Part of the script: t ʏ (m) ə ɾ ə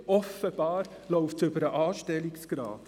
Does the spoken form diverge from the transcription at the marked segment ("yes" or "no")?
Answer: yes